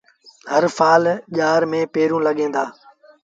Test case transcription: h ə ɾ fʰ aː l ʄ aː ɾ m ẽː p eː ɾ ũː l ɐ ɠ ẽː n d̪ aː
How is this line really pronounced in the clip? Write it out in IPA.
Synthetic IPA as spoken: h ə ɾ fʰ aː l ʄ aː ɾ m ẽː p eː ɾ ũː l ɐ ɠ ẽː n d̪ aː

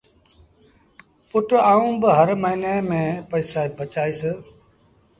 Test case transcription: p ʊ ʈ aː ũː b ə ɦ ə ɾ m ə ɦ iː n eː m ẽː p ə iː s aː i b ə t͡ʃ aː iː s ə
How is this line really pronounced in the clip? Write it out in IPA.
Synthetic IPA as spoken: p ʊ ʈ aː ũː b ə ɦ ə ɾ m ə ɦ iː n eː m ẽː p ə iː s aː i b ə t͡ʃ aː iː s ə

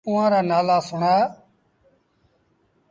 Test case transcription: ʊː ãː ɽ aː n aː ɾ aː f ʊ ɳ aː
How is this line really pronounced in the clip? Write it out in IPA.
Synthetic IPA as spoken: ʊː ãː ɾ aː n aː l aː s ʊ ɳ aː

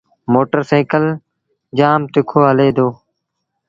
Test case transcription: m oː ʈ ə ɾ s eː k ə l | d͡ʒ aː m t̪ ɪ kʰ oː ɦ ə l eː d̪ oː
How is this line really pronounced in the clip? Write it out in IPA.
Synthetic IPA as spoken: m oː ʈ ə ɾ s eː k ə l | d͡ʒ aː m t̪ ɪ kʰ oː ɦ ə l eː d̪ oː

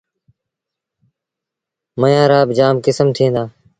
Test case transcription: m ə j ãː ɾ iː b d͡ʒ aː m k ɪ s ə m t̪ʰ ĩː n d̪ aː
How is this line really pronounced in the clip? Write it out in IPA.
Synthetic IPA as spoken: m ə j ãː ɾ aː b d͡ʒ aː m k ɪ s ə m t̪ʰ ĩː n d̪ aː

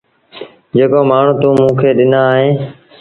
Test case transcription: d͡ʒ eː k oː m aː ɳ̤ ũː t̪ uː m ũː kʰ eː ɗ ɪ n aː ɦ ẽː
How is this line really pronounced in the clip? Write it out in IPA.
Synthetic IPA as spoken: d͡ʒ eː k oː m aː ɳ̤ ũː t̪ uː m ũː kʰ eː ɗ ɪ n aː ɦ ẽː

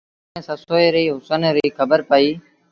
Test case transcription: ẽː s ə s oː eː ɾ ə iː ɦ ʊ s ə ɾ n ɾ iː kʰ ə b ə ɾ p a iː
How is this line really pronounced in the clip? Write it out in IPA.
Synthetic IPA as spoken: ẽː s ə s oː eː ɾ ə iː ɦ ʊ s ə n ɾ iː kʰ ə b ə ɾ p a iː

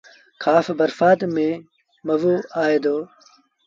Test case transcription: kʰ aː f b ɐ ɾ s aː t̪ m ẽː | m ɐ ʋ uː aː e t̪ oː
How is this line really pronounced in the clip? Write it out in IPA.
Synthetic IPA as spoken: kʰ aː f b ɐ ɾ f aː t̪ m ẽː | m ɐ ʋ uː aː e d̪ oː

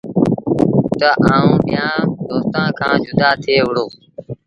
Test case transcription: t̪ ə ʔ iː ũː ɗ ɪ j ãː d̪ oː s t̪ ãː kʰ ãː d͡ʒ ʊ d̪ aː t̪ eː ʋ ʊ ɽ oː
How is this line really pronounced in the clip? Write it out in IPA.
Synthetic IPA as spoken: t̪ ə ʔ aː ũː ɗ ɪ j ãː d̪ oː s t̪ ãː kʰ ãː d͡ʒ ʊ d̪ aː t̪ʰ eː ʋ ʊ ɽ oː

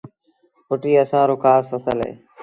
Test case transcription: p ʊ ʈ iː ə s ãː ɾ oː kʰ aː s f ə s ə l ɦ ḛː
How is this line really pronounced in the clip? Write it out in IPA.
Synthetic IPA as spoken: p ʊ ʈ iː ə s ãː ɾ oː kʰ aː s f ə s ə l ɦ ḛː

